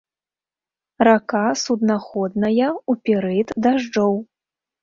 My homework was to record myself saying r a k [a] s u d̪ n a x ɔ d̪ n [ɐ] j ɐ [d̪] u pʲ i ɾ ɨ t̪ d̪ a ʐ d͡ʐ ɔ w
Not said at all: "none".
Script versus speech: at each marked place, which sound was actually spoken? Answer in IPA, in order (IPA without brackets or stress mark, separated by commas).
a, ɐ, none